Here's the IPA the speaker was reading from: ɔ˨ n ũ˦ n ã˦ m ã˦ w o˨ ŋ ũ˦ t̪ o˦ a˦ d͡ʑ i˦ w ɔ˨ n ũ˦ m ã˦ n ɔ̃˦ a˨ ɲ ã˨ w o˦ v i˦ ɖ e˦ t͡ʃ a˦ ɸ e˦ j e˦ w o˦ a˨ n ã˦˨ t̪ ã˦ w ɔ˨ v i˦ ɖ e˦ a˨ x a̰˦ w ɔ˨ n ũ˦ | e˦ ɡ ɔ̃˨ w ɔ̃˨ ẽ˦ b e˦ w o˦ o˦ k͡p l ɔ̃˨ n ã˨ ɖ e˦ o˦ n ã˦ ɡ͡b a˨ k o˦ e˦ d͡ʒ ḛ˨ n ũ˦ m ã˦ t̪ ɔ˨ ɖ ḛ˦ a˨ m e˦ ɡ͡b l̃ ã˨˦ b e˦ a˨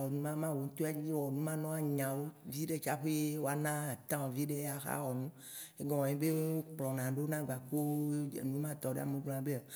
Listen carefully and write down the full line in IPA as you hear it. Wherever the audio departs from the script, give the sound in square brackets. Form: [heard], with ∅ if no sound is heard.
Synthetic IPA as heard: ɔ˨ n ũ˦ [m] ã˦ m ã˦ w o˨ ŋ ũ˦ t̪ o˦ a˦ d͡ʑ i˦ w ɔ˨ n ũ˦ m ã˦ n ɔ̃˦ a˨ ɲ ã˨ w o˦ v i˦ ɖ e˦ t͡ʃ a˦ ɸ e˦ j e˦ w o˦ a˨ n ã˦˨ t̪ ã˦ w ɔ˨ v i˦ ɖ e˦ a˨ x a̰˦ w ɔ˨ n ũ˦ | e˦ ɡ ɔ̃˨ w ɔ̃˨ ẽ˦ b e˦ w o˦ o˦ k͡p l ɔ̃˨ n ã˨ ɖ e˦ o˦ n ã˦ ɡ͡b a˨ k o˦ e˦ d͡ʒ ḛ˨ n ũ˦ m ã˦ t̪ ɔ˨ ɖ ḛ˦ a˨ m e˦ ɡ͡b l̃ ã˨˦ b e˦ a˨